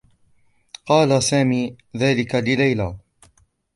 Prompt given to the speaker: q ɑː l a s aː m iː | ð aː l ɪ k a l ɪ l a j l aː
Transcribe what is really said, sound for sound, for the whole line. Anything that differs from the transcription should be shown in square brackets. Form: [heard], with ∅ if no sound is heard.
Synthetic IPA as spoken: q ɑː l a s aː m iː | ð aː l ɪ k a l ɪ l a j l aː